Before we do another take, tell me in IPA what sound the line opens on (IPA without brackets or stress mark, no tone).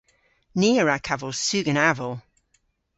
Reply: n